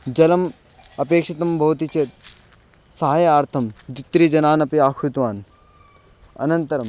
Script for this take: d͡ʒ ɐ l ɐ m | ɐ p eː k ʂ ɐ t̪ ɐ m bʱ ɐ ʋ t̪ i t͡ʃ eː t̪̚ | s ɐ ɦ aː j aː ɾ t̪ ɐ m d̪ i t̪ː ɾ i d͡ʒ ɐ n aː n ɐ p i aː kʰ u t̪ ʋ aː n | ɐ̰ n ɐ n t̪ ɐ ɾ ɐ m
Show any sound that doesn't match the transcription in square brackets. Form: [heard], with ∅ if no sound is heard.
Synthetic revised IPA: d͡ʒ ɐ l ɐ m | ɐ p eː k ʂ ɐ t̪ ɐ m bʱ ɐ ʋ t̪ i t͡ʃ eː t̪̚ | s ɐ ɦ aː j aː ɾ [t̪ʰ] ɐ m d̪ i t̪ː ɾ i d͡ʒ ɐ n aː n ɐ p i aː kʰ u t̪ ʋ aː n | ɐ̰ n ɐ n t̪ ɐ ɾ ɐ m